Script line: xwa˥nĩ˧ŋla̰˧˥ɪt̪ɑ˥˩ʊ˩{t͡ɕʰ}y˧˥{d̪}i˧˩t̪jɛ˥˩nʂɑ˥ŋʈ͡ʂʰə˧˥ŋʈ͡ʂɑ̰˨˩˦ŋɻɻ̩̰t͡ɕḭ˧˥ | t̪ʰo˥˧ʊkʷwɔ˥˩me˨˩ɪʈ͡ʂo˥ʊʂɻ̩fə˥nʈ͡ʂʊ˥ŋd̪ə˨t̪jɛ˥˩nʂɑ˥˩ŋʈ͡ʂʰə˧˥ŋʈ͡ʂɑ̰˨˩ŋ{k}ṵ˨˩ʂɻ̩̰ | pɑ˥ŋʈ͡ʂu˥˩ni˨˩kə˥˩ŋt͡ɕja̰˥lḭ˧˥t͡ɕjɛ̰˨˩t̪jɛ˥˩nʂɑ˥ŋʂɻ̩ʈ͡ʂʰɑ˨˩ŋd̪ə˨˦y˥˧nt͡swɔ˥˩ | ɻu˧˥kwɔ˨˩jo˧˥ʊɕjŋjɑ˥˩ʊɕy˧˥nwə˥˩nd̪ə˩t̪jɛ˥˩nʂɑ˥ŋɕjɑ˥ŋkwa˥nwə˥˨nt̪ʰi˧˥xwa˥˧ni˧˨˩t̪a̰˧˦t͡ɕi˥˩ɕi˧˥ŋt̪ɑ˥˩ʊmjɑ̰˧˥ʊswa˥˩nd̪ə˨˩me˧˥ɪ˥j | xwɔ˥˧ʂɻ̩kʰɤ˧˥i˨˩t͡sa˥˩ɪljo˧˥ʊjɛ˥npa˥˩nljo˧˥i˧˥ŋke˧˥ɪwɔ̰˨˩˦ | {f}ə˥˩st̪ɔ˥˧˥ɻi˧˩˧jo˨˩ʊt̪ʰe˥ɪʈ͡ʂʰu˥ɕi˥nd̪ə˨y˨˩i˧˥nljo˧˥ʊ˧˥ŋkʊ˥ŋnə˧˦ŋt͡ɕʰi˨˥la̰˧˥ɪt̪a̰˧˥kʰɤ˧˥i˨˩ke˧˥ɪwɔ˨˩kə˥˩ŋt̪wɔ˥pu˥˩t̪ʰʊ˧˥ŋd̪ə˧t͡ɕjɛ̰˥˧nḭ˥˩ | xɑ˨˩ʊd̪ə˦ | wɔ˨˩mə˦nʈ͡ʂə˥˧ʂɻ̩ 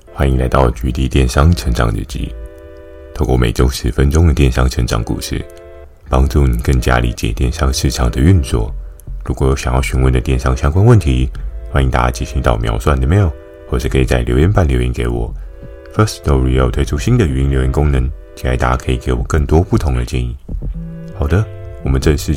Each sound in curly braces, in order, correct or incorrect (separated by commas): incorrect, incorrect, correct, correct